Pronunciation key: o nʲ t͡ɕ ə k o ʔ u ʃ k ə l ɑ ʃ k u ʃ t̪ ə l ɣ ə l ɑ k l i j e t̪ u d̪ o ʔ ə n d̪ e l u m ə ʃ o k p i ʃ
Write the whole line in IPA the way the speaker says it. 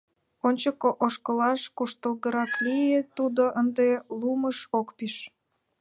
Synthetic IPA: o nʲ t͡ɕ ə k o ʔ o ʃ k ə l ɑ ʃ k u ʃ t̪ ə l ɣ ə ɾ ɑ k l i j e t̪ u d̪ o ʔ ə n d̪ e l u m ə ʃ o k p i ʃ